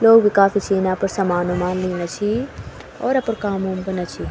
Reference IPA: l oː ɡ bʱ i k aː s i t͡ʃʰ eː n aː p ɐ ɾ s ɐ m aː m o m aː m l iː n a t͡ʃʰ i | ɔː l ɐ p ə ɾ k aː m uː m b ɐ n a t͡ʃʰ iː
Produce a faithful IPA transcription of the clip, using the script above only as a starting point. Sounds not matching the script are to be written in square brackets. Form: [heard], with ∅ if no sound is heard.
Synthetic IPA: l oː ɡ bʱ i k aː [f] i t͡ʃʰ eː n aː p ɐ ɾ s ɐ m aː [n] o m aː [n] l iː n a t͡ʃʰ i | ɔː [ɾ] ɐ p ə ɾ k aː m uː m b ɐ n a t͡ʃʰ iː